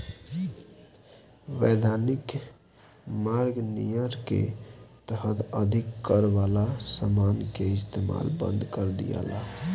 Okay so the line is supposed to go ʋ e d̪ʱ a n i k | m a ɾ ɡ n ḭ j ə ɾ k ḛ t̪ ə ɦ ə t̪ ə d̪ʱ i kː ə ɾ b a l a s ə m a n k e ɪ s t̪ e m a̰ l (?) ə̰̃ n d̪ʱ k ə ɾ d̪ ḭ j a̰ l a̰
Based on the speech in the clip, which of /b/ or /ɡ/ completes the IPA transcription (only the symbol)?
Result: b